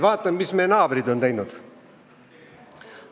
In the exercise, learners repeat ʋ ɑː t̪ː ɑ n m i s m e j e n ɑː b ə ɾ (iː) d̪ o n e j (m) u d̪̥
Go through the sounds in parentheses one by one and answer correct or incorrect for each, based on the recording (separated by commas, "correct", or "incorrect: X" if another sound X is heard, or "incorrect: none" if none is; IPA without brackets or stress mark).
incorrect: i, incorrect: n